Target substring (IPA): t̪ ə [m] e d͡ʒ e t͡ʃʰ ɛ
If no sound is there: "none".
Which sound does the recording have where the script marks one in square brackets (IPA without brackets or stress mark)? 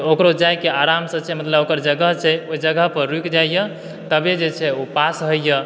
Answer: b